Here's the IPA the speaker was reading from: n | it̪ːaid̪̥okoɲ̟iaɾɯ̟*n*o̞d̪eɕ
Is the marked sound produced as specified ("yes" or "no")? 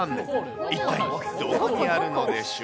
yes